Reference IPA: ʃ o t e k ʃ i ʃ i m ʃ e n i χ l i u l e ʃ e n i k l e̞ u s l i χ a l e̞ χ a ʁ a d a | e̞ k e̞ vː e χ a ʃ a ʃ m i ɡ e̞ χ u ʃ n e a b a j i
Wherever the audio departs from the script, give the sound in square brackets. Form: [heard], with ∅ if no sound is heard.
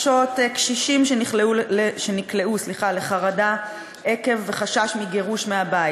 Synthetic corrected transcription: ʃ o t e k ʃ i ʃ i m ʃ e n i χ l [e] u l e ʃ e n i k l e̞ u s l i χ a l e̞ χ a ʁ a d a | e̞ k e̞ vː e χ a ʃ a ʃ m i ɡ e̞ [ʁ] u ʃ [m] e a b a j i